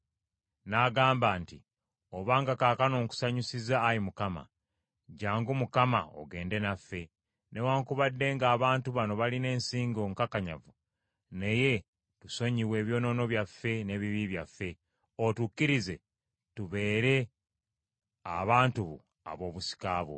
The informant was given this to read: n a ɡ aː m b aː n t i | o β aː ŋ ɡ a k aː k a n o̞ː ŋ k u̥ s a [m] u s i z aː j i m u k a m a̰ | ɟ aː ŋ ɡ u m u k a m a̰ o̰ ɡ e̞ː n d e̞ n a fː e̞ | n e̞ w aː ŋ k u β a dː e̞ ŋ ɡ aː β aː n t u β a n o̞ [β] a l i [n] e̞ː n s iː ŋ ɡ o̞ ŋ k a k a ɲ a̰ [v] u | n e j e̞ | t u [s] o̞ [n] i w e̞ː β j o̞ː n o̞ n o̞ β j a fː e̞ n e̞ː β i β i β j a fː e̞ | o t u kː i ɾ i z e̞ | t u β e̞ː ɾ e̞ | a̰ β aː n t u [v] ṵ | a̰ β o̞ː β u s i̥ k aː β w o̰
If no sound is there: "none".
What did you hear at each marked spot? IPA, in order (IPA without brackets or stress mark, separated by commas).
ɲ, β, n, v, s, ɲ, β